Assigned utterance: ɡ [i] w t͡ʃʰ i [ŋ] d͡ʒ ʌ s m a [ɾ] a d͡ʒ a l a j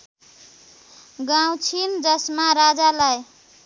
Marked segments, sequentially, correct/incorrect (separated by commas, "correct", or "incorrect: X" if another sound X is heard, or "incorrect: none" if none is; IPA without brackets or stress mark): incorrect: a, incorrect: n, correct